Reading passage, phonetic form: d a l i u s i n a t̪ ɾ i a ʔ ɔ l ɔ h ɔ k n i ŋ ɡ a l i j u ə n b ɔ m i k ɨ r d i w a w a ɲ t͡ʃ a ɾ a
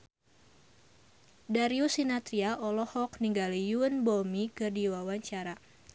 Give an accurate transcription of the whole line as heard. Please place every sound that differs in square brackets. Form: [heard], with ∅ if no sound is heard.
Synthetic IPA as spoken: d a [ɾ] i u s i n a t̪ ɾ i a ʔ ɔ l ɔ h ɔ k n i ŋ ɡ a l i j u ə n b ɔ m i k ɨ r d i w a w a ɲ t͡ʃ a ɾ a